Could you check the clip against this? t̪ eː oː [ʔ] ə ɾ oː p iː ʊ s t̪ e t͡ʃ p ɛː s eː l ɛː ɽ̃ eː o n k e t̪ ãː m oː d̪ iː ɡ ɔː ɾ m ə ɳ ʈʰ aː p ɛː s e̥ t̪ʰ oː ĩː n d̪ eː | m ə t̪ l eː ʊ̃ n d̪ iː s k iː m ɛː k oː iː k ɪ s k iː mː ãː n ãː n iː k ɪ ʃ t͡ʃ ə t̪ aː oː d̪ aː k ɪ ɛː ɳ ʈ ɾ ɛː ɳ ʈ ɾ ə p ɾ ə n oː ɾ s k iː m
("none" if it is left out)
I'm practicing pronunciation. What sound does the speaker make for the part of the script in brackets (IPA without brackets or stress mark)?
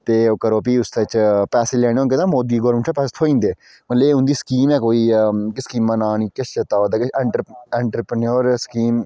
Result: k